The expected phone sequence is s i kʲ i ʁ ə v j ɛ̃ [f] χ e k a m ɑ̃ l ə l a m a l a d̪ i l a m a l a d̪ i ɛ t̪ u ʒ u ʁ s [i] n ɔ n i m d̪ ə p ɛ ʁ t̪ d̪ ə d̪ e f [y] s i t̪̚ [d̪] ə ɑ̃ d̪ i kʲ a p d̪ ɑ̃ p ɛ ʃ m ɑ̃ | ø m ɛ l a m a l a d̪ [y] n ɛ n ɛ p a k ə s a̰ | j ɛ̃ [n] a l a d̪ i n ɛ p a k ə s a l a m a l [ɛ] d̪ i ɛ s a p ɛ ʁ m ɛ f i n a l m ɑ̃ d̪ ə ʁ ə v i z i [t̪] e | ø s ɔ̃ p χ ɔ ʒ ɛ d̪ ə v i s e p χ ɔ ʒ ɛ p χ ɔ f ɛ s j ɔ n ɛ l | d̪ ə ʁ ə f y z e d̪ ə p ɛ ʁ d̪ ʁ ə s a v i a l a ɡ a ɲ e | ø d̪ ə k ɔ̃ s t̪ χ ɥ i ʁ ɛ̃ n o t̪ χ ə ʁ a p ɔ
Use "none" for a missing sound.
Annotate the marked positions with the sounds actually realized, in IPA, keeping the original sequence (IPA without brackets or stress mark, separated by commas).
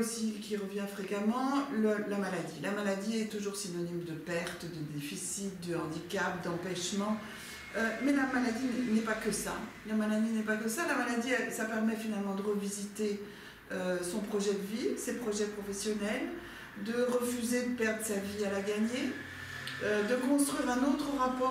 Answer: f, i, i, d̪, i, m, a, t̪